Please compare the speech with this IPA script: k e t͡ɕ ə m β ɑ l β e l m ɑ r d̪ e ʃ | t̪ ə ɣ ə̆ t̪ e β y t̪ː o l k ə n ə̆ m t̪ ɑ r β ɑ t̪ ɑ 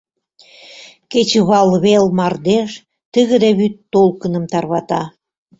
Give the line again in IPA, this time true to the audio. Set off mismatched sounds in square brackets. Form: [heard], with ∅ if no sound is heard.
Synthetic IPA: k e t͡ɕ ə [∅] β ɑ l β e l m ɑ r d̪ e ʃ | t̪ ə ɣ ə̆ [d̪] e β y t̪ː o l k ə n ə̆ m t̪ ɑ r β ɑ t̪ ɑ